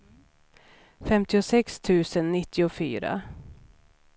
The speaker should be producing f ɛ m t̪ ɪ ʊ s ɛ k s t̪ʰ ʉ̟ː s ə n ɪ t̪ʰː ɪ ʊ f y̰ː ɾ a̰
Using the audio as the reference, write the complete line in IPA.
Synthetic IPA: f ɛ m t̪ ɪ ʊ s ɛ k s t̪ʰ ʉ̟ː s ə nː ɪ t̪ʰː ɪ ʊ f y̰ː ɾ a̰

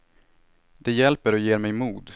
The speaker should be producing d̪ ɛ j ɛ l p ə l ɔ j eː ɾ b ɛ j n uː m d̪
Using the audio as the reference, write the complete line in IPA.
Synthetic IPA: d̪ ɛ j ɛ l p ə ɾ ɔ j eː ɾ m ɛ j m uː d̪

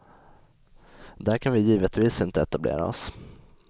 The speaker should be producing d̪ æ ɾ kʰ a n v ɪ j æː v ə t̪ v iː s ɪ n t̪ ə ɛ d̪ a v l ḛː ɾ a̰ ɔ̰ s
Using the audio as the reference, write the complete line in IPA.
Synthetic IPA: d̪ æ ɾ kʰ a n v ɪ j iː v ə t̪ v iː s ɪ n t̪ ə ɛ t̪ a b l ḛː ɾ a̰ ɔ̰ s

